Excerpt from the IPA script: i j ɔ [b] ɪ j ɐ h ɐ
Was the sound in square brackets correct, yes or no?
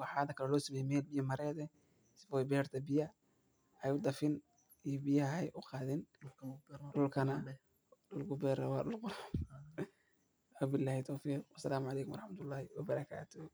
yes